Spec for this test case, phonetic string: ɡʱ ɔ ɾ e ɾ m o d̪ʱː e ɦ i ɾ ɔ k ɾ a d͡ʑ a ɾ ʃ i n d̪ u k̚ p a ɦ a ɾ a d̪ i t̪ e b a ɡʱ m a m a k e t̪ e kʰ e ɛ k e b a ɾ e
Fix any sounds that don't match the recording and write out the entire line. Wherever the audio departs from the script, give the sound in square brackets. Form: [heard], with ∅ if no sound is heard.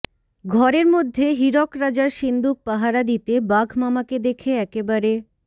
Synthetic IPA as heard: ɡʱ ɔ ɾ e ɾ m o d̪ʱː e ɦ i ɾ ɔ k ɾ a d͡ʑ a ɾ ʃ i n d̪ u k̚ p a ɦ a ɾ a d̪ i t̪ e b a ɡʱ m a m a k e [d̪] e kʰ e ɛ k e b a ɾ e